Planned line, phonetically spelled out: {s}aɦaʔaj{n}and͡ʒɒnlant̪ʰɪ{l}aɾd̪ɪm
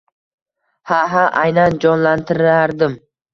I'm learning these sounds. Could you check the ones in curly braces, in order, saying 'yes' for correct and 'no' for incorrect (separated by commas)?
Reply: no, yes, no